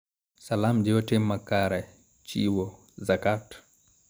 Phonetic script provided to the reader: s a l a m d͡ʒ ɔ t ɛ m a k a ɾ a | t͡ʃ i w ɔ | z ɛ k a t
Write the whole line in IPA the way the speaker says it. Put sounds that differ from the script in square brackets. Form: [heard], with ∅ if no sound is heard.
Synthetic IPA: s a l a m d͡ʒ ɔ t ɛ m a k a ɾ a | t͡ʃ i w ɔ | z [a] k a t